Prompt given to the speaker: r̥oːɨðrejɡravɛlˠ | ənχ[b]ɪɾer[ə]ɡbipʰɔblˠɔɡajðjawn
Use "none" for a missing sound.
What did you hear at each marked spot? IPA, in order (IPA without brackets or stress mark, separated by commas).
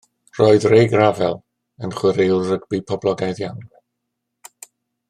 w, ə